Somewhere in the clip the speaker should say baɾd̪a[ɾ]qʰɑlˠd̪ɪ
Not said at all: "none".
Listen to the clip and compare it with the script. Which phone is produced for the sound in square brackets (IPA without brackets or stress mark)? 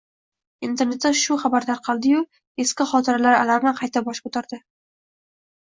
ɾ